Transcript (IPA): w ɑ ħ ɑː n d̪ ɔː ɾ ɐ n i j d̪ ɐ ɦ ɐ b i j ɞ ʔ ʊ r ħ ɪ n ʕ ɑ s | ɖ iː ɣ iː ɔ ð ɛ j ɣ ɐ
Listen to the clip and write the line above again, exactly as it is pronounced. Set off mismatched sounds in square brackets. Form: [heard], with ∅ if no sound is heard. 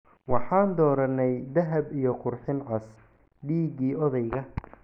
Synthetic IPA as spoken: w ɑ ħ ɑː n d̪ ɔː ɾ ɐ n [ɛ] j d̪ ɐ ɦ ɐ b i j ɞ [q] ʊ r ħ ɪ n ʕ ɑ s | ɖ iː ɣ iː ɔ ð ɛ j ɣ ɐ